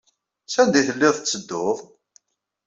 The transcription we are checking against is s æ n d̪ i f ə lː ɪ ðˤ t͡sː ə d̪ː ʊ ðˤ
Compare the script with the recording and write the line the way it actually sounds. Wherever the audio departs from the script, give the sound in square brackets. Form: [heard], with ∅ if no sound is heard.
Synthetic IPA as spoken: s æ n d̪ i [θ] ə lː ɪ ðˤ t͡sː ə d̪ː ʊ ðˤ